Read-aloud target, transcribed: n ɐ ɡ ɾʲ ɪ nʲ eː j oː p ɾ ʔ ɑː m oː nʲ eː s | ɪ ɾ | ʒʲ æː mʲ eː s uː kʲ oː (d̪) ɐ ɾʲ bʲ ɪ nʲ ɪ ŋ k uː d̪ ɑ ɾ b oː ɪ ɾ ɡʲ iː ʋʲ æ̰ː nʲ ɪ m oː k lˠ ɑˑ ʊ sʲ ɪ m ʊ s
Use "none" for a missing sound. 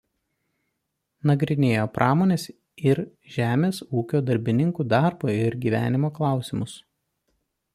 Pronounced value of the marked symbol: d̪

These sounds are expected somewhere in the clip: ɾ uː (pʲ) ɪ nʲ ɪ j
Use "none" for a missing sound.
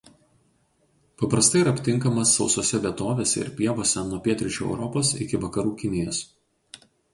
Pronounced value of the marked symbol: kʲ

